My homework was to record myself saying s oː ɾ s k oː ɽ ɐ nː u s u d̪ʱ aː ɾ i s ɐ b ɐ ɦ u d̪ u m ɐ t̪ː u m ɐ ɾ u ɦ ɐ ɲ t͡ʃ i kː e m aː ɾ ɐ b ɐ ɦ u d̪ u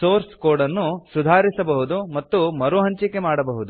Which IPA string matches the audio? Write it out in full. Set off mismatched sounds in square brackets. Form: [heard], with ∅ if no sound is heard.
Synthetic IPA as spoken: s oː ɾ s k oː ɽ ɐ nː u s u d̪ʱ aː ɾ i s ɐ b ɐ ɦ u d̪ u m ɐ t̪ː u m ɐ ɾ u ɦ ɐ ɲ t͡ʃ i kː e m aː [ɽ] ɐ b ɐ ɦ u d̪ u